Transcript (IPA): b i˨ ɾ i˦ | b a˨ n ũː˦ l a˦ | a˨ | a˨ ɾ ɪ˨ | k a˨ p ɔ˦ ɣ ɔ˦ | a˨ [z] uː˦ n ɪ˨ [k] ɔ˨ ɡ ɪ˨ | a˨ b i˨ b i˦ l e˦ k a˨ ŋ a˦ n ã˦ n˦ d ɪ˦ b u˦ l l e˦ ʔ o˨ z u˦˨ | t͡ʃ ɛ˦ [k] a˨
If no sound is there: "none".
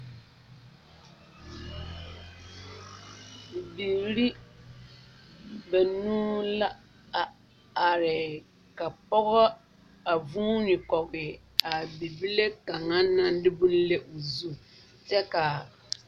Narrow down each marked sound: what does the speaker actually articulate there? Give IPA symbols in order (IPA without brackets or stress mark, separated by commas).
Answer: v, k, k